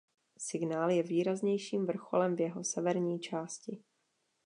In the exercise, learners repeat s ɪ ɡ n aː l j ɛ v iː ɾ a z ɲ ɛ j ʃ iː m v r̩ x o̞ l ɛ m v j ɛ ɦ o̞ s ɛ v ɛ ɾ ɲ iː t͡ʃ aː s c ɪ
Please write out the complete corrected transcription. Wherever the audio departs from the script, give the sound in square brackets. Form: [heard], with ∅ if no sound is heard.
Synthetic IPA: s ɪ ɡ n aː l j ɛ v iː ɾ a z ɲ ɛ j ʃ iː m v r̩ x o̞ l ɛ m v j ɛ ɦ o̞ s ɛ v ɛ ɾ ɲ iː t͡ʃ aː s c ɪ